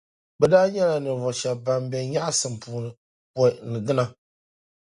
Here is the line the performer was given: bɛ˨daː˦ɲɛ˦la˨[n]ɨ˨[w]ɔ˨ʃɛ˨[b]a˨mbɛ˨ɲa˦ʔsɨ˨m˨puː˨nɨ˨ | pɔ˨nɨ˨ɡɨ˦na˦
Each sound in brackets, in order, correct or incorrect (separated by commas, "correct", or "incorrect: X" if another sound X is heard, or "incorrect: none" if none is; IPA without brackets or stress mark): correct, incorrect: v, correct